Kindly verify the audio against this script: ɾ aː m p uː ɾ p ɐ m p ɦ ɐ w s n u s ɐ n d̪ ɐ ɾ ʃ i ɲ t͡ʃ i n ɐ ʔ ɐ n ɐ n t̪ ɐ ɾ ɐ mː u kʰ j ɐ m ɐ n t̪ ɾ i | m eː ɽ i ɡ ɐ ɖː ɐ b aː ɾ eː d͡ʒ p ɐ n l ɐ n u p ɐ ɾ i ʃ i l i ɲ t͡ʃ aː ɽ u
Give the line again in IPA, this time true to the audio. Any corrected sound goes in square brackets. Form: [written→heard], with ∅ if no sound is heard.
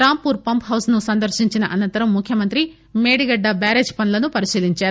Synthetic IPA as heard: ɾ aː m p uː ɾ p ɐ m p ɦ ɐ w s n u s ɐ n d̪ ɐ ɾ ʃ i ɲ t͡ʃ i n ɐ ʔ ɐ n ɐ n t̪ ɐ ɾ ɐ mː u kʰ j ɐ m ɐ n t̪ ɾ i | m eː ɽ i ɡ ɐ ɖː ɐ b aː ɾ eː d͡ʒ p ɐ n l ɐ n u p ɐ ɾ i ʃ [i→iː] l i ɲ t͡ʃ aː [ɽ→ɾ] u